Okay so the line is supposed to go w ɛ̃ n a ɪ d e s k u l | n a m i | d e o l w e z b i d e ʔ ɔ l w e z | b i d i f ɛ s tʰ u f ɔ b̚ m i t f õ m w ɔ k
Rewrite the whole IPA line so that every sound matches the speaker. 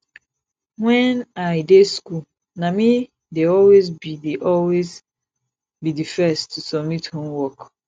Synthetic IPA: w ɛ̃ n a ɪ d e s k u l | n a m i | d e ɔ l w e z b i d e ʔ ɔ l w e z | b i d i f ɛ s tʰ u s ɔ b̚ m i t h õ m w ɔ k